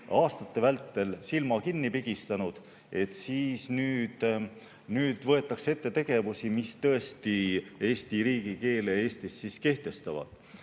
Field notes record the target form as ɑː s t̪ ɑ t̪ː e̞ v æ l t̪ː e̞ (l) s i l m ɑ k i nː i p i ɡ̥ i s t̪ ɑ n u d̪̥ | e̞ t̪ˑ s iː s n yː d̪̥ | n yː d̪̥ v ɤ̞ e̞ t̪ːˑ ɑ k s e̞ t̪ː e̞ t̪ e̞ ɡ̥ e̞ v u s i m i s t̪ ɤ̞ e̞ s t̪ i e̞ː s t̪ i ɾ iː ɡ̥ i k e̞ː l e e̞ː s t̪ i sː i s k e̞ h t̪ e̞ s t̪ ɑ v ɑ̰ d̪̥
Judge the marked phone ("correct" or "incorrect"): correct